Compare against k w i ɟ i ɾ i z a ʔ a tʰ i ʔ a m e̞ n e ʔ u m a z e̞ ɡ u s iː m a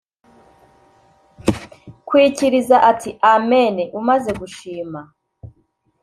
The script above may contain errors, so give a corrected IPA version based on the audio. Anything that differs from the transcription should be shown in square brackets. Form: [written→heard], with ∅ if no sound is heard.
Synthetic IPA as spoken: k w i [ɟ→c] i ɾ i z a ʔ a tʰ i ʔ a m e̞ n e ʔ u m a z e̞ ɡ u [s→ʃ] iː m a